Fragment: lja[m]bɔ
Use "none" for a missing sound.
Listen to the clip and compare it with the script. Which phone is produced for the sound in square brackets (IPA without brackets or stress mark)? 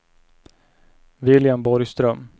m